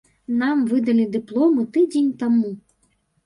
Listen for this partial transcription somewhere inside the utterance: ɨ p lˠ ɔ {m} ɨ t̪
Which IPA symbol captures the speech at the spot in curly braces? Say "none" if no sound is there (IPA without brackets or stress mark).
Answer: m